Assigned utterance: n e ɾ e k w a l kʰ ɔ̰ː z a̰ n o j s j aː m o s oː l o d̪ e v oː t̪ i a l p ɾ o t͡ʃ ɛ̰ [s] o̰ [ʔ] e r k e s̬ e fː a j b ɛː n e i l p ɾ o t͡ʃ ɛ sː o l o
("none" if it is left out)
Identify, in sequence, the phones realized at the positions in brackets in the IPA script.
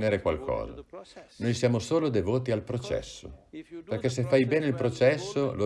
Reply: sː, p

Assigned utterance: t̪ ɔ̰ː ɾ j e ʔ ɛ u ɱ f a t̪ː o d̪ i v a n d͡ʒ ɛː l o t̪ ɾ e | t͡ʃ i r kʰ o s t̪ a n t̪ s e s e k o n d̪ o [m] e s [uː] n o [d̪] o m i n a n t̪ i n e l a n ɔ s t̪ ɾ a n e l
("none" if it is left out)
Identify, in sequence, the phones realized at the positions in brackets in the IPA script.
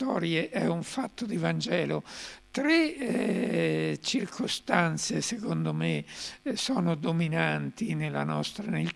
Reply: m, ɔː, d̪

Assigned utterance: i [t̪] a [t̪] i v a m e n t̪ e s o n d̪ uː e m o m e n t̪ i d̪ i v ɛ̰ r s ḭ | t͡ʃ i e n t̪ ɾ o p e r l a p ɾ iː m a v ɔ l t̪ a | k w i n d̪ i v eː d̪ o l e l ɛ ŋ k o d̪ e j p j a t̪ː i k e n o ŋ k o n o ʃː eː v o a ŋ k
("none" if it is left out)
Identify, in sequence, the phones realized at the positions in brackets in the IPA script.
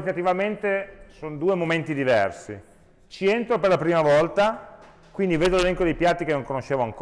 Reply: t̪, t̪

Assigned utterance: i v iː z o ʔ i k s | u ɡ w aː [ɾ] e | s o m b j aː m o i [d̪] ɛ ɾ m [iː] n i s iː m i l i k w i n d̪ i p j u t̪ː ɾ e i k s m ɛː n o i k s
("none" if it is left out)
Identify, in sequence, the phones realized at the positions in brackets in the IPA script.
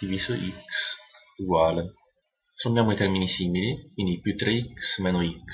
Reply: l, t̪, i

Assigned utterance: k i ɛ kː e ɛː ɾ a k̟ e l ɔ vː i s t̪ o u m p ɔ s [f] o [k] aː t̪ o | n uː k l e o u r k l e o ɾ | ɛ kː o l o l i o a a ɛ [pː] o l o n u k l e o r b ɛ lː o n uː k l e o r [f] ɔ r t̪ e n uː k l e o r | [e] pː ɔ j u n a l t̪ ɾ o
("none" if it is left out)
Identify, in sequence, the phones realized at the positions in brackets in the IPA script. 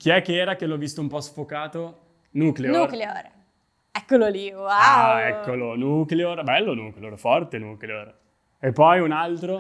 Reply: f, k, kː, f, e

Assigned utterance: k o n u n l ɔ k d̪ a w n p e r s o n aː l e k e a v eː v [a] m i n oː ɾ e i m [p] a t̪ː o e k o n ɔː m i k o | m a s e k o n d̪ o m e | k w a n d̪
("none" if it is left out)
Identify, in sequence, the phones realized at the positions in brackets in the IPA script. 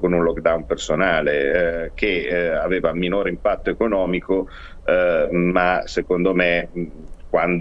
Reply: a, p

